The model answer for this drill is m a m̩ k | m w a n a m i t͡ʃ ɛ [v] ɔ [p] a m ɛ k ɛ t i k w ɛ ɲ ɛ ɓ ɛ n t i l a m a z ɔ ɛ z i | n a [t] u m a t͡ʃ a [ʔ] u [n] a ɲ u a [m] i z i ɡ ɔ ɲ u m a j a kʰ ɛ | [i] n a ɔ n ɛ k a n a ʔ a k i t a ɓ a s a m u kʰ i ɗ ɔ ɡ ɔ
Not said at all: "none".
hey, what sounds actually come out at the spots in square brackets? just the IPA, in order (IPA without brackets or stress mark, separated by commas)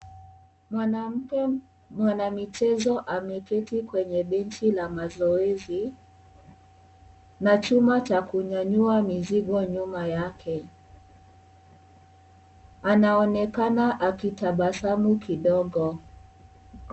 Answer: z, ʔ, t͡ʃ, k, ɲ, m, a